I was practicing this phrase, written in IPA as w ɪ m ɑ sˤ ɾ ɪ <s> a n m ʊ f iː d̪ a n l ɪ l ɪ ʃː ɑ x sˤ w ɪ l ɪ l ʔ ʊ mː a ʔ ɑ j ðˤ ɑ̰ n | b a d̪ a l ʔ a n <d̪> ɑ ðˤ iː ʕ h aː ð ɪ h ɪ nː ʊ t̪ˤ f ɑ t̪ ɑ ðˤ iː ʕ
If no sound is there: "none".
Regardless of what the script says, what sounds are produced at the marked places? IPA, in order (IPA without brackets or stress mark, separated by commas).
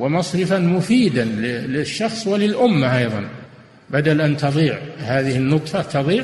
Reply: f, t̪